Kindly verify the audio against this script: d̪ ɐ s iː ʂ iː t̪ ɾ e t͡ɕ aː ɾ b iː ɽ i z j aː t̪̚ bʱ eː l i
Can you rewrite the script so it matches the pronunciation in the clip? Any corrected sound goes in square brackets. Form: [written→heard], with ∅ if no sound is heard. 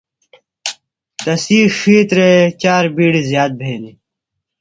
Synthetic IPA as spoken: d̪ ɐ s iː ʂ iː t̪ ɾ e t͡ɕ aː ɾ b iː ɽ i z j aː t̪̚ bʱ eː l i